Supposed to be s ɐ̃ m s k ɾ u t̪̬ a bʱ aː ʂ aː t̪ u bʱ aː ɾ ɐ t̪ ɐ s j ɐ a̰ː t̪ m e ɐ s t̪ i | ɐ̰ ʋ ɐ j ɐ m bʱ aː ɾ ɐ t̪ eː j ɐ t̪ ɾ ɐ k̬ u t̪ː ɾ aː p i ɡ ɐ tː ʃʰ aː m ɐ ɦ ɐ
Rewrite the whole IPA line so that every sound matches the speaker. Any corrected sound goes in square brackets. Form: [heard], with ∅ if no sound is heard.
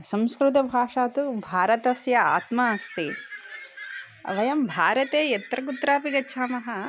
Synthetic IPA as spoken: s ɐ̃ m s k ɾ u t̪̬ [ɐ] bʱ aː ʂ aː t̪ u bʱ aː ɾ ɐ t̪ ɐ s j ɐ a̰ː t̪ m [a] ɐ s t̪ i | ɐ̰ ʋ ɐ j ɐ m bʱ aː ɾ ɐ t̪ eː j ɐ t̪ ɾ ɐ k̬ u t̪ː ɾ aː p i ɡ ɐ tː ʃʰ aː m ɐ ɦ ɐ